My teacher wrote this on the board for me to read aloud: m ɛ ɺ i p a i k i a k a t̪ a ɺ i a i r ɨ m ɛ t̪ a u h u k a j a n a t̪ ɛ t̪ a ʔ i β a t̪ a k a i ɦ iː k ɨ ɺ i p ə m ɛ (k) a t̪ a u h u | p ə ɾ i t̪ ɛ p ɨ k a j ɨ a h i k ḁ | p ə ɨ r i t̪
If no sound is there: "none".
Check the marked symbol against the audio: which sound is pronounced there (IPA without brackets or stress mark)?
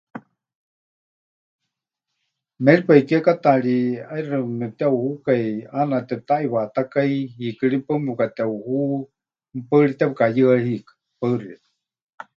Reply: k